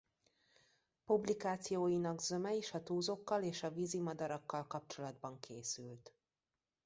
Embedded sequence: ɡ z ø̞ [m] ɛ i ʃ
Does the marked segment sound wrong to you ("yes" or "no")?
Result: no